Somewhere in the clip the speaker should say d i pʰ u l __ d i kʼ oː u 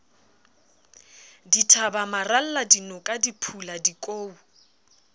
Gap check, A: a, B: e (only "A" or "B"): A